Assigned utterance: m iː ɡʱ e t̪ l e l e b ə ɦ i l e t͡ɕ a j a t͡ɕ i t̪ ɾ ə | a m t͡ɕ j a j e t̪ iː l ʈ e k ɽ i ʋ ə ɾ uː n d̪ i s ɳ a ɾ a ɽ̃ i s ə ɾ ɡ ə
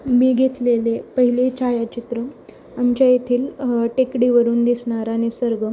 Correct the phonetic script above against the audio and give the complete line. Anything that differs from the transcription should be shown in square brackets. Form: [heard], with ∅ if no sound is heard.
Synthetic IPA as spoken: m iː ɡʱ e t̪ l e l e [p] ə ɦ i l e t͡ɕ a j a t͡ɕ i t̪ ɾ ə | a m t͡ɕ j a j e [t̪ʰ] iː l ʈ e k ɽ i ʋ ə ɾ uː n d̪ i s ɳ a ɾ a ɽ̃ i s ə ɾ ɡ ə

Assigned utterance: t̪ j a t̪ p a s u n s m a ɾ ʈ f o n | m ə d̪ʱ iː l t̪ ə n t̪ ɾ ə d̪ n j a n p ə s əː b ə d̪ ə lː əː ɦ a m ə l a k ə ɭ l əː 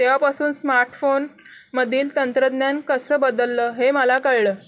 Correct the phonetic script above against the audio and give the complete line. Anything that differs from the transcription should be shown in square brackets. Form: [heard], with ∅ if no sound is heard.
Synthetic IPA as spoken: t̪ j a [∅] p a s [uː] n s m a ɾ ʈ f o n | m ə d̪ʱ iː l t̪ ə n t̪ ɾ ə d̪ n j a n [k] ə s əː b ə d̪ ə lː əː ɦ [e] m ə l a k ə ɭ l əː

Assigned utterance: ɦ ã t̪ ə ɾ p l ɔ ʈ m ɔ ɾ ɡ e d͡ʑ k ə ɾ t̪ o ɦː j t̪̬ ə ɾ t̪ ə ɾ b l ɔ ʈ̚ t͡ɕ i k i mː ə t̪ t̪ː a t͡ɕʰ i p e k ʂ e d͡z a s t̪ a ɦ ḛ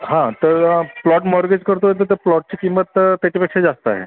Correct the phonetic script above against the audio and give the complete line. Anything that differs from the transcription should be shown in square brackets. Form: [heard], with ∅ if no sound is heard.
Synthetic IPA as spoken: ɦ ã t̪ ə ɾ p l ɔ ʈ m ɔ ɾ ɡ e d͡ʑ k ə ɾ t̪ o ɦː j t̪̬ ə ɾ t̪ ə ɾ [p] l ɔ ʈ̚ t͡ɕ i k i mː ə t̪ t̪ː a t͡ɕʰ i p e k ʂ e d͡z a s t̪ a ɦ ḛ

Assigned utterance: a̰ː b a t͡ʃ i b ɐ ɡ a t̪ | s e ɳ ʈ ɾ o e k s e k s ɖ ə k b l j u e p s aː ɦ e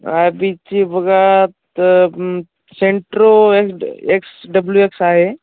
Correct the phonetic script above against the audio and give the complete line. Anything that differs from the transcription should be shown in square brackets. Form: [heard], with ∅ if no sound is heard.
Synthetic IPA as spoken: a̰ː b [i] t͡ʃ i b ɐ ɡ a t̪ | s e ɳ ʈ ɾ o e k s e k s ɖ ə [∅] b l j u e [k] s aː ɦ e

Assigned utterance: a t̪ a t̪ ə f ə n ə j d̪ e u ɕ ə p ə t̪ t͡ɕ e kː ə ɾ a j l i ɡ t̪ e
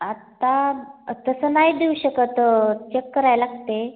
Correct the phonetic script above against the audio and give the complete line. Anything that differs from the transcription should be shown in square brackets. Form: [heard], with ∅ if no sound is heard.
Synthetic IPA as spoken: a t̪ a t̪ ə [s] ə n [a] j d̪ e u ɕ ə [k] ə t̪ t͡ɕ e kː ə ɾ a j l [a] ɡ t̪ e

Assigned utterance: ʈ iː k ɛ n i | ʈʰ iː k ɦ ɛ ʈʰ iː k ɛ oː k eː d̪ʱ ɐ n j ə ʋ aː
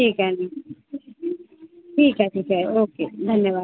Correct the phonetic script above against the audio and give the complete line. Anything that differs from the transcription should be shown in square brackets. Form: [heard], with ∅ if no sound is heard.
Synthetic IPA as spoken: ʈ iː k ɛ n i | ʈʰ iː k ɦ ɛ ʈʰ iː k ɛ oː k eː d̪ʱ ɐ n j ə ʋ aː

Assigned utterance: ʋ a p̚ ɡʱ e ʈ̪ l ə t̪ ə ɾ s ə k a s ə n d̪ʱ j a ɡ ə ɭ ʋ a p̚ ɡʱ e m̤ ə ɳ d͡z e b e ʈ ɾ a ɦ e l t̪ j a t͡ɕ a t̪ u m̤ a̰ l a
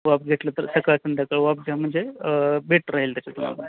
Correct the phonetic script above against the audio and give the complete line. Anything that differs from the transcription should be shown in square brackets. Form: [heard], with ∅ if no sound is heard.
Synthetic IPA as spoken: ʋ a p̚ ɡʱ e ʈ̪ l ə t̪ ə ɾ s ə k a s ə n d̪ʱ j a [k] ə ɭ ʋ a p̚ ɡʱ [a] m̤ ə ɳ d͡z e b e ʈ ɾ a ɦ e l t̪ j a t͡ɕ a t̪ u m̤ a̰ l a

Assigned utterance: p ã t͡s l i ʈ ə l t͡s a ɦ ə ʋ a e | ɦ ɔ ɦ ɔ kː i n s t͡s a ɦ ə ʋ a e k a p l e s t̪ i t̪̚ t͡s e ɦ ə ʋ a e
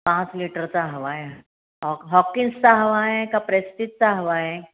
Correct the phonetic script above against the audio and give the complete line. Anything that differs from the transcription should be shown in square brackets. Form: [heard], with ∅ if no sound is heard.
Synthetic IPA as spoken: p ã t͡s l i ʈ ə [ɾ] t͡s a ɦ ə ʋ a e | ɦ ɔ ɦ ɔ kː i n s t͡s a ɦ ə ʋ a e k a p [ɾ] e s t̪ i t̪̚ t͡s [a] ɦ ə ʋ a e

